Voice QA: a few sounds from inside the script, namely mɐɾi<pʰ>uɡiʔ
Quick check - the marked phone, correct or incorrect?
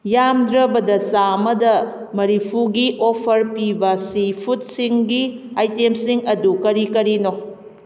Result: correct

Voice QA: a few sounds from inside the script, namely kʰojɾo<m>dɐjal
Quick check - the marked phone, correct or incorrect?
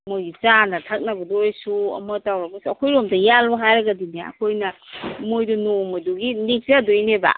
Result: correct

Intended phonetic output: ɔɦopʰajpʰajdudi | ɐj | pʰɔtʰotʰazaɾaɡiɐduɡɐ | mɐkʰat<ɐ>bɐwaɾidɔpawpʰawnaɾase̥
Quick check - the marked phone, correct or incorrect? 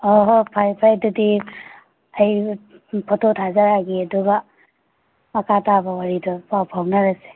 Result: incorrect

